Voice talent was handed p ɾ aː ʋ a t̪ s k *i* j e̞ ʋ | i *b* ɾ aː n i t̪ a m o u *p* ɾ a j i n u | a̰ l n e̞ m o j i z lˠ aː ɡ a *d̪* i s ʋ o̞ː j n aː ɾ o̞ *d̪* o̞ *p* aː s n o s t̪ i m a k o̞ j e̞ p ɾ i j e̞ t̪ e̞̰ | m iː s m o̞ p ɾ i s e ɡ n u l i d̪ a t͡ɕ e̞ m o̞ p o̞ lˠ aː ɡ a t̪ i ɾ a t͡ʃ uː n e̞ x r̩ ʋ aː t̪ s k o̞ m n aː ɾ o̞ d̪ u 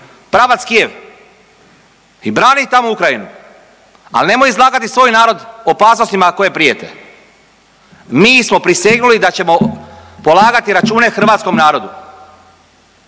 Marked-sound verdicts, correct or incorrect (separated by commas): correct, correct, incorrect, incorrect, correct, correct